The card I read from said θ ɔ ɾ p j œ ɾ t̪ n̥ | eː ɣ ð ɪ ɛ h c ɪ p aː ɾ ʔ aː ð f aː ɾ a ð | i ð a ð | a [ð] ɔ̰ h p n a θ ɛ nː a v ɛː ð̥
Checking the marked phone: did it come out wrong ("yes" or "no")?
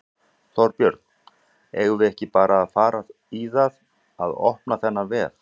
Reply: no